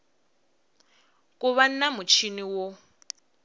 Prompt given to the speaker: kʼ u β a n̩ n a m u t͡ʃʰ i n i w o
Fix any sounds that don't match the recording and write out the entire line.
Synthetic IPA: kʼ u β a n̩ n a m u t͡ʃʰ i n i w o